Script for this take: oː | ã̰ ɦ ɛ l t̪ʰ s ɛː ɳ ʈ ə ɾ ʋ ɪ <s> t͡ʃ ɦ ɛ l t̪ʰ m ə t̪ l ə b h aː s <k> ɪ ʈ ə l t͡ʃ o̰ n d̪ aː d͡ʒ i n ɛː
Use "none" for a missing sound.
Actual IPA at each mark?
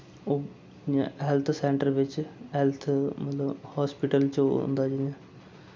none, p

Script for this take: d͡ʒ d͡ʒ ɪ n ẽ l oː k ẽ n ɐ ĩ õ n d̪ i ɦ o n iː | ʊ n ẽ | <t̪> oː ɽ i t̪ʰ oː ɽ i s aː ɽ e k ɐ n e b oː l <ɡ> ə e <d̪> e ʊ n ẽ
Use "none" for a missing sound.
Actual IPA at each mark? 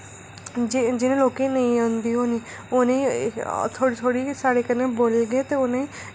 t̪ʰ, ɡ, t̪

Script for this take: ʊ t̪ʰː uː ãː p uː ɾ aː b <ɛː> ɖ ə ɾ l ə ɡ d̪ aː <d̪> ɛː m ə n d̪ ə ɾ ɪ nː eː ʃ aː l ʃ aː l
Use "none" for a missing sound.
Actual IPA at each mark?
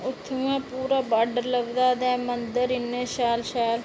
aː, d̪

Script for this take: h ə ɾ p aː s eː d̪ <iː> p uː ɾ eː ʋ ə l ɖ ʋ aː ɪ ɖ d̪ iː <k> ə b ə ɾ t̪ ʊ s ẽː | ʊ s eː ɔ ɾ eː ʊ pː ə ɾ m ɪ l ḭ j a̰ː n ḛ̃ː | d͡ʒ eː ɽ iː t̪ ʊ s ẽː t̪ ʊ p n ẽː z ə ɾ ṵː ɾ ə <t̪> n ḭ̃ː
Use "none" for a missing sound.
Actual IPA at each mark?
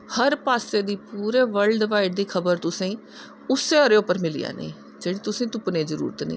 iː, kʰ, t̪

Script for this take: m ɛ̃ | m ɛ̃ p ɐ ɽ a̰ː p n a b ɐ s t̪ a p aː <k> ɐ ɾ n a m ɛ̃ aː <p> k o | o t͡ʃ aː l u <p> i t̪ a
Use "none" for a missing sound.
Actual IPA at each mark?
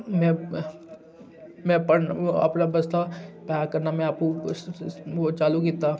k, p, k

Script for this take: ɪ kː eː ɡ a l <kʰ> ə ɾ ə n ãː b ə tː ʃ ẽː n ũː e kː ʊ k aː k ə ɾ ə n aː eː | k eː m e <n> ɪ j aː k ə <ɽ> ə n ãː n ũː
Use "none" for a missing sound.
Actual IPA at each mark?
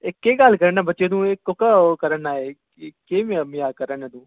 k, m, ɾ

